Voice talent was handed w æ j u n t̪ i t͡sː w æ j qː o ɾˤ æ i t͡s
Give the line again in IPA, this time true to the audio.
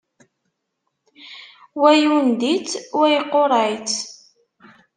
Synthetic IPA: w æ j u n d̪ i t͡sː w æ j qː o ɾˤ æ j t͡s